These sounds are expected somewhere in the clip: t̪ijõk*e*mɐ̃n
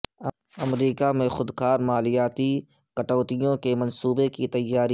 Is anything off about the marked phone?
no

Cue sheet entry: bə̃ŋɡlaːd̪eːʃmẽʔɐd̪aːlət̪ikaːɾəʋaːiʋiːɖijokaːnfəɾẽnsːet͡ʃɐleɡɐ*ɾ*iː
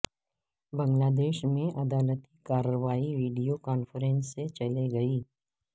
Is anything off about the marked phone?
yes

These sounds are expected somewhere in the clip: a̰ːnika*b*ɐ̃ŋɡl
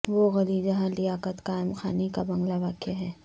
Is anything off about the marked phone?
no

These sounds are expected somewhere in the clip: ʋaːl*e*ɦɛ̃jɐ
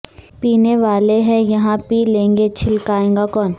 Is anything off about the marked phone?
no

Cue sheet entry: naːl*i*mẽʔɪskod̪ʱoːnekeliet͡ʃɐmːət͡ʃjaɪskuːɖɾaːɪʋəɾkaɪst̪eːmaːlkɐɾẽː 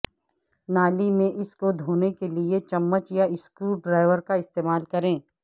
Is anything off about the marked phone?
no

